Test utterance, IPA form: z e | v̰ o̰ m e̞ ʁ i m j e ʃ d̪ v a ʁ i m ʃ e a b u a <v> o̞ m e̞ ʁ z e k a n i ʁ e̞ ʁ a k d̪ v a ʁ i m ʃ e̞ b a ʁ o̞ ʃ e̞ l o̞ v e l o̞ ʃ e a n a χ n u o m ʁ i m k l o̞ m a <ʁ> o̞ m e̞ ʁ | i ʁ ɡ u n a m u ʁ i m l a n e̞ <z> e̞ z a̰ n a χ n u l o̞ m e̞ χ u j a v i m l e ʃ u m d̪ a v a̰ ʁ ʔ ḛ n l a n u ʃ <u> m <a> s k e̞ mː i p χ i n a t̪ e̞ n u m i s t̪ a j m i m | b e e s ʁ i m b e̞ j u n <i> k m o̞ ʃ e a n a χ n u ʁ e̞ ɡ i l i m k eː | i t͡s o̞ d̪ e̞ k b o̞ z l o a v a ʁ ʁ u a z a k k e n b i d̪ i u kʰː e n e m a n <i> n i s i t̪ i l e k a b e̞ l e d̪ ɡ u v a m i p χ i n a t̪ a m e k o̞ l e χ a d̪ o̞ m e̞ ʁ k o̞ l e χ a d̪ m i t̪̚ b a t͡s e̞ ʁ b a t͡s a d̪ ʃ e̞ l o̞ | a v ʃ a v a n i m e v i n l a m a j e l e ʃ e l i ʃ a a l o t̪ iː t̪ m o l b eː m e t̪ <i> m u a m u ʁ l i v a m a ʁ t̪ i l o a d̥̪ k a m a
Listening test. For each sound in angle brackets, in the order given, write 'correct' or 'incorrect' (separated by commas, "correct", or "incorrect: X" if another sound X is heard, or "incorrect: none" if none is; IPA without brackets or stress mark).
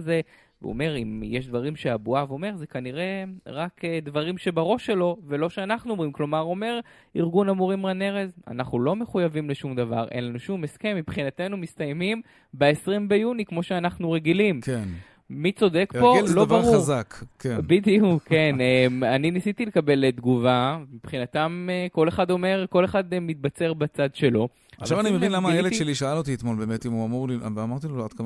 correct, correct, incorrect: ʁ, correct, incorrect: e, correct, correct, correct